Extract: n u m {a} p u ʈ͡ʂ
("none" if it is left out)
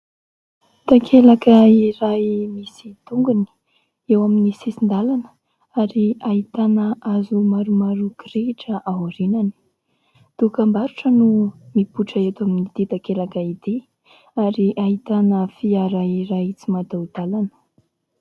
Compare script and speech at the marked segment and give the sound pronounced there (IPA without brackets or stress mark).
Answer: i